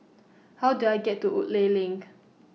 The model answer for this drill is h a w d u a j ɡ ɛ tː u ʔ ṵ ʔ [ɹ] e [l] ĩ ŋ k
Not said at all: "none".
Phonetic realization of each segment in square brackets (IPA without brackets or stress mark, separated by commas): l, l